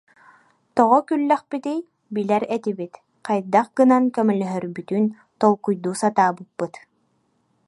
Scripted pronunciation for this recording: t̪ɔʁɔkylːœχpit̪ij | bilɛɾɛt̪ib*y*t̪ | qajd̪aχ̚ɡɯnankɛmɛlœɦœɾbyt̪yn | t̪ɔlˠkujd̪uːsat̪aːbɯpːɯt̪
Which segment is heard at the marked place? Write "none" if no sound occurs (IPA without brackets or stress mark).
i